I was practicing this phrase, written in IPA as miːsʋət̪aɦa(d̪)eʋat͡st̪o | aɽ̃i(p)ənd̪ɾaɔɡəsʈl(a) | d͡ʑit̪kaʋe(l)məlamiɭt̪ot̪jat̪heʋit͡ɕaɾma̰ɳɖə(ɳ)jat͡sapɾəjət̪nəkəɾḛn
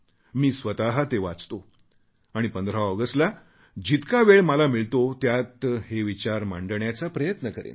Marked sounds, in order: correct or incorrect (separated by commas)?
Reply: incorrect, correct, correct, incorrect, correct